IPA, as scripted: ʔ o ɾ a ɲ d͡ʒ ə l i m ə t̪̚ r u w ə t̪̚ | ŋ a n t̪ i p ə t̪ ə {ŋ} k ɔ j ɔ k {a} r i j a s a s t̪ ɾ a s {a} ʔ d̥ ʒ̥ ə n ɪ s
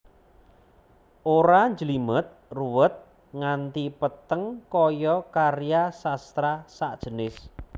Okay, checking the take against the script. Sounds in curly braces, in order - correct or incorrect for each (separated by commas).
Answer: correct, correct, correct